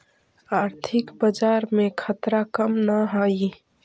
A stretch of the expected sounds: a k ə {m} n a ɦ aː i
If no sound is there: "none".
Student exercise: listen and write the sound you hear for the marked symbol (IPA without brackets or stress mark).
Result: m